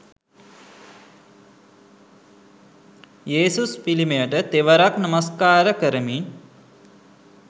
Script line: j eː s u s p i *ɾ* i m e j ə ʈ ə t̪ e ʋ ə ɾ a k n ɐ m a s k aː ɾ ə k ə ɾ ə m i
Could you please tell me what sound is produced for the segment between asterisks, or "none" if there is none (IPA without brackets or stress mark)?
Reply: l